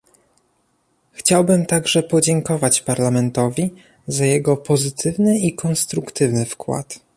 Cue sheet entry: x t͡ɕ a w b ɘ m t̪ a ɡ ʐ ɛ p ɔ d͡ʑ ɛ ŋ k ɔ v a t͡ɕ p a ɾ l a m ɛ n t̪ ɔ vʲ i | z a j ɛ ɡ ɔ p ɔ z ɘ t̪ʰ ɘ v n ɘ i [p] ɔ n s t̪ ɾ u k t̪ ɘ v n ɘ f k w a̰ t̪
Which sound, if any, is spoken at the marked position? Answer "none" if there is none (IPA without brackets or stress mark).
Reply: k